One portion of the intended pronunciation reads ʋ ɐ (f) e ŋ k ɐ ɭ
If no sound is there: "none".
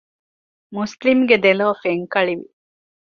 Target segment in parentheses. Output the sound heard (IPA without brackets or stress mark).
f